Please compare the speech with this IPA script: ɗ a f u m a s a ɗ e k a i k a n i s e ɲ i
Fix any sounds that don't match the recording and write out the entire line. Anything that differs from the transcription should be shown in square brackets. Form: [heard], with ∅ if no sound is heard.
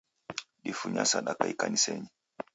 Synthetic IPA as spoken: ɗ [i] f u [ɲ] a s a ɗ [a] k a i k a n i s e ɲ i